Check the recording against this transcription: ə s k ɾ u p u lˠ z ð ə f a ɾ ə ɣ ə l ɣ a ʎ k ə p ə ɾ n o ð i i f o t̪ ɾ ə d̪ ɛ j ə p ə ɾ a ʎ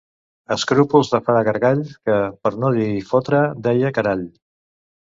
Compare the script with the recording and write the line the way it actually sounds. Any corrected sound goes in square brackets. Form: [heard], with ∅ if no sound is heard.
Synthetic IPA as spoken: ə s k ɾ u p u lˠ z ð ə f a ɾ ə ɣ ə [ɾ] ɣ a ʎ k ə p ə ɾ n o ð i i f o t̪ ɾ ə d̪ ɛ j ə [k] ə ɾ a ʎ

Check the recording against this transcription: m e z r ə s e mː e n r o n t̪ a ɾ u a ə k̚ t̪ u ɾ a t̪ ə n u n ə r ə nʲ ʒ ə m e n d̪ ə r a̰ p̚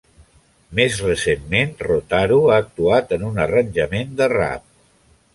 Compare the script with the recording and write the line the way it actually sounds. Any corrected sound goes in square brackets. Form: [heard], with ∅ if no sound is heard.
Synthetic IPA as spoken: m e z r ə s e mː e n r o [∅] t̪ a ɾ u a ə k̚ t̪ u [∅] a t̪ ə n u n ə r ə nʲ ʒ ə m e n d̪ ə r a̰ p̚

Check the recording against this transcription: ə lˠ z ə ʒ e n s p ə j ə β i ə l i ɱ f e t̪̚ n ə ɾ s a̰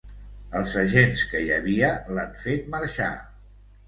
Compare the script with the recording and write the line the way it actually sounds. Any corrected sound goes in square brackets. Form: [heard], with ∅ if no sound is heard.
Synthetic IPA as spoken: ə lˠ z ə ʒ e n s [k] ə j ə β i ə l [a] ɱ f e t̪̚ [m] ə ɾ [ʃ] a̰

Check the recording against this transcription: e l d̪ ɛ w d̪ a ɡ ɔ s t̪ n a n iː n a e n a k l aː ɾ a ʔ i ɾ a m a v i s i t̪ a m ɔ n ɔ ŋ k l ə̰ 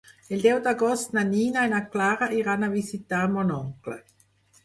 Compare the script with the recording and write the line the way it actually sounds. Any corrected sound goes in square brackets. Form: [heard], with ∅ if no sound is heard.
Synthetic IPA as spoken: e l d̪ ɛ w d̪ a ɡ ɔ s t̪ n a n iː n a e n a k l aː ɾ a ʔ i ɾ a [n] a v i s i t̪ a m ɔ n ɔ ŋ k l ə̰

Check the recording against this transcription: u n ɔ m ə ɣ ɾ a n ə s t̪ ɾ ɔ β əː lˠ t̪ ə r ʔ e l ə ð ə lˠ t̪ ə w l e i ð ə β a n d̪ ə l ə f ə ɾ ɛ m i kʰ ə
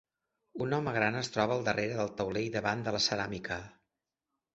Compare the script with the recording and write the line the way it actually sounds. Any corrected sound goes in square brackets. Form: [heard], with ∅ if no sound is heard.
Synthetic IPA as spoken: u n ɔ m ə ɣ ɾ a n ə s t̪ ɾ ɔ β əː lˠ [d̪] ə r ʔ e [ɾ] ə ð ə lˠ t̪ ə w l e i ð ə β a n d̪ ə l ə [s] ə ɾ [a] m i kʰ ə

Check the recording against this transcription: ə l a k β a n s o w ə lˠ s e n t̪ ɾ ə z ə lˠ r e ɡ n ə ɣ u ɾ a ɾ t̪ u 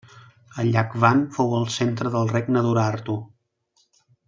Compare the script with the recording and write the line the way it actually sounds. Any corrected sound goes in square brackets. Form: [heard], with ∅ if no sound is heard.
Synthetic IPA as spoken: ə [ʎ] a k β a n [f] o w ə lˠ s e n t̪ ɾ ə [ð] ə lˠ r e ɡ n ə [ð] u ɾ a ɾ t̪ u

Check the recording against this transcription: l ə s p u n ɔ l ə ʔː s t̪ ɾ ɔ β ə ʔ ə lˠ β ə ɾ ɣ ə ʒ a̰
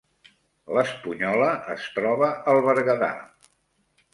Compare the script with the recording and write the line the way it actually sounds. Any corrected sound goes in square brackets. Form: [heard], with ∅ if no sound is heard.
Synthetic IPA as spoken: l ə s p u [ɲ] ɔ l ə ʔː s t̪ ɾ ɔ β ə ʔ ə lˠ β ə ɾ ɣ ə [ð] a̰

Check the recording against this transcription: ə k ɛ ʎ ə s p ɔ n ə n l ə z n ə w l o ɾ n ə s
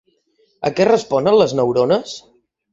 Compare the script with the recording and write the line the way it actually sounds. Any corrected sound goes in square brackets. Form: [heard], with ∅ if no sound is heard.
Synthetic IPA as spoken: ə k ɛ [r] ə s p ɔ n ə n l ə z n ə w [ɾ] o [∅] n ə s

